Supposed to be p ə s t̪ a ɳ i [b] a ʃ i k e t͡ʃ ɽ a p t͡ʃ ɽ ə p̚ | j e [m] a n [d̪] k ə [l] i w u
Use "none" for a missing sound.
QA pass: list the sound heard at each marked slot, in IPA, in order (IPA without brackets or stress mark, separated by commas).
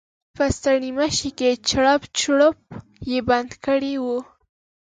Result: m, b, d̪, ɽ